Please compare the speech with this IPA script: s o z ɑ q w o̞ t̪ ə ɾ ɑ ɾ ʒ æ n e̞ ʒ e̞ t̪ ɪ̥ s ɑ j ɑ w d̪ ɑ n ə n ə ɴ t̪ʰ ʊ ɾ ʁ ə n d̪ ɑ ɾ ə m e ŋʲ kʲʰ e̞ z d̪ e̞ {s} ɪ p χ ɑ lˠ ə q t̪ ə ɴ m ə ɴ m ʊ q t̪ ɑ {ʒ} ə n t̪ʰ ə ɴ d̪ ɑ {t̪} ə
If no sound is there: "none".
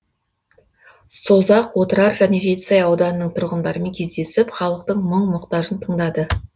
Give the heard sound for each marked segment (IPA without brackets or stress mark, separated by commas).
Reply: s, ʒ, d̪